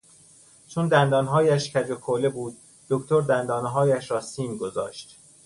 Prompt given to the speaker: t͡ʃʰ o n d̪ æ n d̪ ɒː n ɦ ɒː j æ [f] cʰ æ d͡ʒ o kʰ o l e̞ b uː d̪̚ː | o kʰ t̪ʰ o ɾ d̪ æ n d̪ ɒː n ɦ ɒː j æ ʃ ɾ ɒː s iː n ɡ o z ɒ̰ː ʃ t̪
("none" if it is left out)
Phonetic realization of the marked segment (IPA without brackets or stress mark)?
ʃ